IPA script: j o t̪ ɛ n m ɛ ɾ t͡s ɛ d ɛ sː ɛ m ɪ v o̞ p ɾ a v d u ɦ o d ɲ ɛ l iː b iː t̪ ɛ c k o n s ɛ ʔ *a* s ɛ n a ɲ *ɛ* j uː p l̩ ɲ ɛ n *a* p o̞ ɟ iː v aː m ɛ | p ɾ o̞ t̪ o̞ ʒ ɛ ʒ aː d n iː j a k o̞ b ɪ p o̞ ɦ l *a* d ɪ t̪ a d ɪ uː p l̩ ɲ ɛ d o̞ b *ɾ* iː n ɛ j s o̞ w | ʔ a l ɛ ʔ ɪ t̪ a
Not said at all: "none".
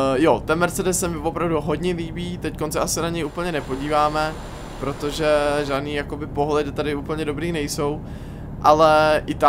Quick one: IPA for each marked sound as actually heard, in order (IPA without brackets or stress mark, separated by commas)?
a, ɛ, ɛ, ɛ, ɾ